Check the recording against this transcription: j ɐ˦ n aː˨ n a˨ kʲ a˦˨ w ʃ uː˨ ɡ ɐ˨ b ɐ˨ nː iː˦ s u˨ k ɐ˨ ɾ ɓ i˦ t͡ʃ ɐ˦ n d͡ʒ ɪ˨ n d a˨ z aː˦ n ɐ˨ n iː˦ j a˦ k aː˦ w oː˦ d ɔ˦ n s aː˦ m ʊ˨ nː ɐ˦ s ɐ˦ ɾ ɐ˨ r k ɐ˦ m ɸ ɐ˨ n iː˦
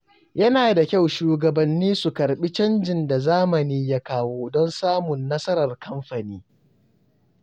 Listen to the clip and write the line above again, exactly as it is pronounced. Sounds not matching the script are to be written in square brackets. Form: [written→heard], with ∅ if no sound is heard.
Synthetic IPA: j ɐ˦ n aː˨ [n→d] a˨ kʲ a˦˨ w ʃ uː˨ ɡ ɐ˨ b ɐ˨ nː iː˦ s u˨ k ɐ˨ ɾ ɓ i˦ t͡ʃ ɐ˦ n d͡ʒ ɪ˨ n d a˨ z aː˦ [n→m] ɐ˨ n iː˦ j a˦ k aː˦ w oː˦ d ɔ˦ n s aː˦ m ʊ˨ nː ɐ˦ s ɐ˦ ɾ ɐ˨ r k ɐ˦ m ɸ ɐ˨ n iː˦